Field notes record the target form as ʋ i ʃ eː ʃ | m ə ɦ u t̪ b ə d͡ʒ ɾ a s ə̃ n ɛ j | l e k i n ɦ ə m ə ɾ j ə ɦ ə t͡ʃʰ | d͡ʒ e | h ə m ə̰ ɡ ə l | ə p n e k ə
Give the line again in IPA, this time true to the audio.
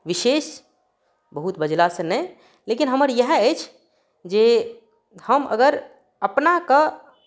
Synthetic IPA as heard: ʋ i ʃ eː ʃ | b ə ɦ u t̪ b ə d͡ʒ l a s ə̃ n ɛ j | l e k i n ɦ ə m ə ɾ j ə ɦ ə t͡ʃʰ | d͡ʒ e | h ə m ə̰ ɡ ə ɾ | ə p n a k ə